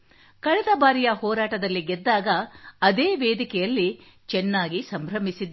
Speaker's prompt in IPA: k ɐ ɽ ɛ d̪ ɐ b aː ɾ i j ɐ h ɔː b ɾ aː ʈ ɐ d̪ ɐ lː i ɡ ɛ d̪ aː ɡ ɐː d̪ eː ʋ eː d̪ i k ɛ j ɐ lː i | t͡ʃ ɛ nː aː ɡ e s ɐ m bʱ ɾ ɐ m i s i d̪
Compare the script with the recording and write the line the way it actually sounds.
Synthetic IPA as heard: k ɐ ɭ ɛ d̪ ɐ b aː ɾ i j ɐ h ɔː ɾ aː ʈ ɐ d̪ ɐ lː i ɡ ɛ d̪ː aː ɡ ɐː d̪ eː ʋ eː d̪ i k ɛ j ɐ lː i | t͡ʃ ɛ nː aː ɡ i s ɐ m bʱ ɾ ɐ m i s i d̪